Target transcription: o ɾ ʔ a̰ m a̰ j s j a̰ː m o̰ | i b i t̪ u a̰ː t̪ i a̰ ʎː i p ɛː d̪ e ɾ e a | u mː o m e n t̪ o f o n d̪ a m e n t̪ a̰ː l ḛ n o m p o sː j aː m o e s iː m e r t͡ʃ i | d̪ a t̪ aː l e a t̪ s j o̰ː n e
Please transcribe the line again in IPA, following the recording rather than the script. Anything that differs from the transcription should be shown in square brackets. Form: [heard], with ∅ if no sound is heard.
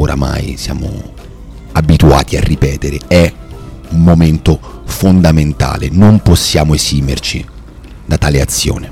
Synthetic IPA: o ɾ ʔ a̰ m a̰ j s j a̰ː m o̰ | [a] b i t̪ u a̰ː t̪ i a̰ [rː] i p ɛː [t̪] e ɾ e [ɛ] | u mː o m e n t̪ o f o n d̪ a m e n t̪ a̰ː l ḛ n o m p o sː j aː m o e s iː m e r t͡ʃ i | d̪ a t̪ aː l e a t̪ [sː] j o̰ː n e